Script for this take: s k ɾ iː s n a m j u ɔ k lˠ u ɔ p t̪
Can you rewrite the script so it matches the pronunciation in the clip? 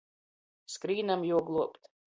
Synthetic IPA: s k ɾ iː n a m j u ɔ ɡ lˠ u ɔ p t̪